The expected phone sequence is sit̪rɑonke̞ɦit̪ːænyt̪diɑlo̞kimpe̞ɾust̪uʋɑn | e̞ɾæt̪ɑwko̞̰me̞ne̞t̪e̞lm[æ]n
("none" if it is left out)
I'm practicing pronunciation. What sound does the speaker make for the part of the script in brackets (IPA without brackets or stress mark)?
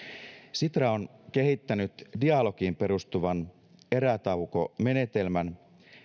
æ